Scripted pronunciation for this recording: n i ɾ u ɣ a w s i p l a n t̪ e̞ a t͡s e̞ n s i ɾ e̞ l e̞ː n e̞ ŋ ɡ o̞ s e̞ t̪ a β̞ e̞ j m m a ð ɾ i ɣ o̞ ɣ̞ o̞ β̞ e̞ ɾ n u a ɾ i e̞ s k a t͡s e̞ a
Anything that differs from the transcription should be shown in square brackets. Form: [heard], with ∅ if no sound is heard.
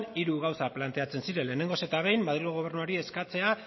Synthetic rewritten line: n i ɾ u ɣ a w s [a] p l a n t̪ e̞ a t͡s e̞ n s i ɾ e̞ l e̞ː n e̞ ŋ ɡ o̞ s e̞ t̪ a β̞ e̞ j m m a ð ɾ i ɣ o̞ ɣ̞ o̞ β̞ e̞ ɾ n u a ɾ i e̞ s k a t͡s e̞ a